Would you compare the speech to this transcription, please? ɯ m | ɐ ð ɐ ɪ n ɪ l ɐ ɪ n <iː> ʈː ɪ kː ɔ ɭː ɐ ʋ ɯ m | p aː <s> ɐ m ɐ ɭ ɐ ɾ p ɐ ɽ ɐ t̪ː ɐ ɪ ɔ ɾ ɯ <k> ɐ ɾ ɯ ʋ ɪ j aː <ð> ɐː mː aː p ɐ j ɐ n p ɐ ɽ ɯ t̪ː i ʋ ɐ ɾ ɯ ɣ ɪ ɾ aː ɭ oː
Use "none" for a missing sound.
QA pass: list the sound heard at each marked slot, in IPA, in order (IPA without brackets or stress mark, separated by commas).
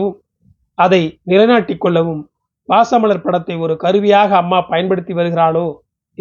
aː, s, k, ɣ